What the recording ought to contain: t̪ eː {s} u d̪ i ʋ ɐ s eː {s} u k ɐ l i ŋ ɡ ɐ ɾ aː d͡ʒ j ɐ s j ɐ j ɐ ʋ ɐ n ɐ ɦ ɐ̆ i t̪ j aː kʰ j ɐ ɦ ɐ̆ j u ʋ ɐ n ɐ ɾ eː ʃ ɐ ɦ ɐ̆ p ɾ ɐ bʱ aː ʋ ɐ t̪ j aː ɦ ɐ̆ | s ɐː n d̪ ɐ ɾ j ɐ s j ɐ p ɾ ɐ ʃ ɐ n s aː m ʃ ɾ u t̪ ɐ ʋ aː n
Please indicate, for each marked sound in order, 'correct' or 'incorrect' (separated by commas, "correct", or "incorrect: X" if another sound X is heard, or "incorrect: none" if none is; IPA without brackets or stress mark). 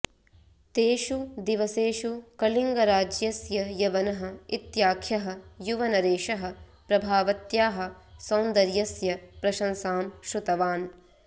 incorrect: ʃ, incorrect: ʃ